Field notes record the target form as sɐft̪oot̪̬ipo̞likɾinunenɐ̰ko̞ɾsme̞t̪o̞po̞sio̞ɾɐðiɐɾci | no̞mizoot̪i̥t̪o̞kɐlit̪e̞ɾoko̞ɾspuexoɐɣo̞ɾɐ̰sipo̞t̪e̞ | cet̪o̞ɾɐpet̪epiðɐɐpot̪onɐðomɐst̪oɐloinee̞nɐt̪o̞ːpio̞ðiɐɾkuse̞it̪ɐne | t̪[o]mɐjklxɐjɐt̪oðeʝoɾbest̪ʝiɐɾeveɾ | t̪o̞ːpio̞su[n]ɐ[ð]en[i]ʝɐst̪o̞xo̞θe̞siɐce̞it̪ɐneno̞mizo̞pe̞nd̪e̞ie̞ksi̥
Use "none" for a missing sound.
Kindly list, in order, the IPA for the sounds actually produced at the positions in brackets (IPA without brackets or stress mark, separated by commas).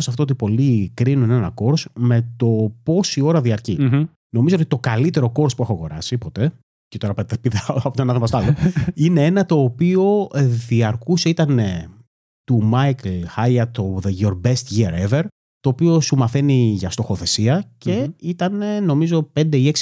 u, m, θ, i